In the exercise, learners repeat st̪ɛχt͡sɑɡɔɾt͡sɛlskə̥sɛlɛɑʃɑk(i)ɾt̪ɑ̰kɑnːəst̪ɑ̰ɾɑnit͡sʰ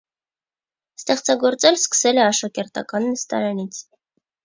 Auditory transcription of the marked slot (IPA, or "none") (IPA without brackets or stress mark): ɛ